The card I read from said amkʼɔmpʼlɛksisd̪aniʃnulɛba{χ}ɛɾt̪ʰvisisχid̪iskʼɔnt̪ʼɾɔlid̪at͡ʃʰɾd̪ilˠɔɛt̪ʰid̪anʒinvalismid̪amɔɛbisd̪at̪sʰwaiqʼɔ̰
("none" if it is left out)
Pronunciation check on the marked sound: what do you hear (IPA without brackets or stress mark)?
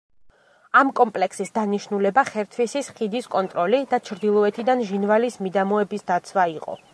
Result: χ